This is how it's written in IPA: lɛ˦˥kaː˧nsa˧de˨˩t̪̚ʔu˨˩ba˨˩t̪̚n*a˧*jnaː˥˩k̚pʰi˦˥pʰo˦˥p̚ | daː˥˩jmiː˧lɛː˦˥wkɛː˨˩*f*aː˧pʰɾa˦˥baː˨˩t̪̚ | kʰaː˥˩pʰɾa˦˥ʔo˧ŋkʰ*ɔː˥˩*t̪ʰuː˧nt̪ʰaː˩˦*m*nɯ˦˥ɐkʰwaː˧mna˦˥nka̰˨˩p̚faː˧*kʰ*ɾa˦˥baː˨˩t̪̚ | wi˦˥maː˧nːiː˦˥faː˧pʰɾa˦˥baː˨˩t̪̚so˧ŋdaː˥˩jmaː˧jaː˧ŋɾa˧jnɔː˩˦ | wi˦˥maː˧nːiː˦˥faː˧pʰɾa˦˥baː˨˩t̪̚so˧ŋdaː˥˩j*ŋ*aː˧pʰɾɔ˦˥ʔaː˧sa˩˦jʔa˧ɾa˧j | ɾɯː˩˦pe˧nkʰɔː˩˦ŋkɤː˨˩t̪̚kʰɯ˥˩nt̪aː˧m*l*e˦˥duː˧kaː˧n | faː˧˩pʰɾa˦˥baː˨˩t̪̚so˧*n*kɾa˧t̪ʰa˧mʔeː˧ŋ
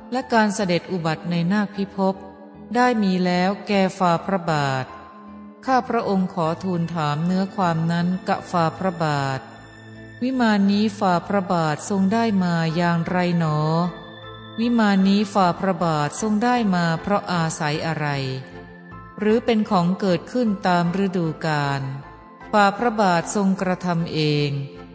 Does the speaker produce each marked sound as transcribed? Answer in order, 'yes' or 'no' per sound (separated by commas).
yes, yes, no, yes, no, no, no, no